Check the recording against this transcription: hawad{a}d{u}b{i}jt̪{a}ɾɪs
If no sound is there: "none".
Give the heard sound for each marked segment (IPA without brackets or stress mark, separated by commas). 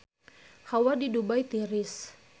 i, u, a, i